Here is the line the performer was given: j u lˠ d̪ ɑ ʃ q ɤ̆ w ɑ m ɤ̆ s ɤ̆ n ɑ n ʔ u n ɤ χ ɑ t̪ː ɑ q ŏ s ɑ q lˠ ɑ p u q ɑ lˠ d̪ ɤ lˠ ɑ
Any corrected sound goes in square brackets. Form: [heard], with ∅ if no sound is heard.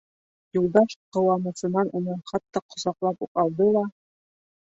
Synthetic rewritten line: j u lˠ d̪ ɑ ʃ q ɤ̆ w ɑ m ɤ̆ s ɤ̆ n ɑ n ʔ u n ɤ χ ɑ t̪ː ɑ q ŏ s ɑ q lˠ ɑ p u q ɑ lˠ d̪ ɤ lˠ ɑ